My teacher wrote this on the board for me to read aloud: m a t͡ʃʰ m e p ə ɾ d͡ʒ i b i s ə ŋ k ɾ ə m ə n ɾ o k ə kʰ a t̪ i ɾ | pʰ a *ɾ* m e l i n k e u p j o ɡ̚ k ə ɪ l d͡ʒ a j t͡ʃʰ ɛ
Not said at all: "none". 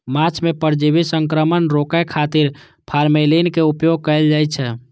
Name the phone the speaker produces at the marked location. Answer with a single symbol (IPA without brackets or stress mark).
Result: ɾ